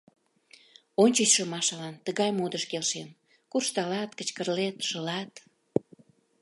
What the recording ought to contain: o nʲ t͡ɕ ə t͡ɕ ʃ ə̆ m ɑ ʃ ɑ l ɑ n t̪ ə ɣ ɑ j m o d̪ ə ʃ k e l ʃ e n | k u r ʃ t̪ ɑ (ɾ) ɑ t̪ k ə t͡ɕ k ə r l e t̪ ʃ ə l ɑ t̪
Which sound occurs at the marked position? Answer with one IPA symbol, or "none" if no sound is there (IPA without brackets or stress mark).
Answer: l